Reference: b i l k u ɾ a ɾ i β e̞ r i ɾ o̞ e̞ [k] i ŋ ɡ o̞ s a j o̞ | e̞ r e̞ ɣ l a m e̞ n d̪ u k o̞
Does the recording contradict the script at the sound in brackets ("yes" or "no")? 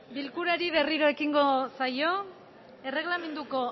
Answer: no